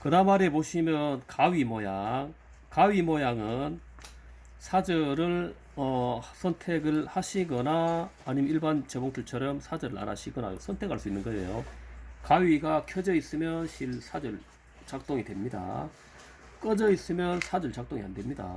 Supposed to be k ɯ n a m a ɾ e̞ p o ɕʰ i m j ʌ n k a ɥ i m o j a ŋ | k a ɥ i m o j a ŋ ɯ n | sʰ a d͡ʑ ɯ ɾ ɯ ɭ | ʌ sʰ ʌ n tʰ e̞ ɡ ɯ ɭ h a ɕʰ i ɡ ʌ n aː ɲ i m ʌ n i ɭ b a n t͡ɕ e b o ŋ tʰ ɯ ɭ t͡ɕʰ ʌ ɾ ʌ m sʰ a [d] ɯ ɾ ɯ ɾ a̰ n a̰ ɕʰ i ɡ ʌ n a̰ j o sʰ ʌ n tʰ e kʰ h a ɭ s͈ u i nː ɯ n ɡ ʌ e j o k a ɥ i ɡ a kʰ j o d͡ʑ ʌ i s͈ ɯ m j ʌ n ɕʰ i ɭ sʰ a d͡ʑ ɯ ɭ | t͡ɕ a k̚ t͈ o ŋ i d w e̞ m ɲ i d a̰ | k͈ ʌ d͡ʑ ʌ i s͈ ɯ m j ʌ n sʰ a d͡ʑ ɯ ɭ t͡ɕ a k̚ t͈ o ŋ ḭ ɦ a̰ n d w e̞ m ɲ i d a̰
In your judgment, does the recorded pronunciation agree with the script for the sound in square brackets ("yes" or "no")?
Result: no